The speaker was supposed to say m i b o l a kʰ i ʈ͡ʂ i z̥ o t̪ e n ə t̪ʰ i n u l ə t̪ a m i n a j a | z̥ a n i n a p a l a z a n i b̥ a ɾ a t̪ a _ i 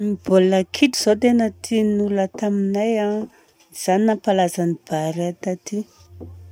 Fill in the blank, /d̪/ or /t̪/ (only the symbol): t̪